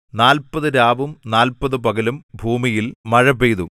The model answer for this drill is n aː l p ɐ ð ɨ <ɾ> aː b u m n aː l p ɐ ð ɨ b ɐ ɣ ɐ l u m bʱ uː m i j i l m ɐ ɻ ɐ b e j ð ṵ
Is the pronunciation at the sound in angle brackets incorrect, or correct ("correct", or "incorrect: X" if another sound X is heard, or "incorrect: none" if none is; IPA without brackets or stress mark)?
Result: correct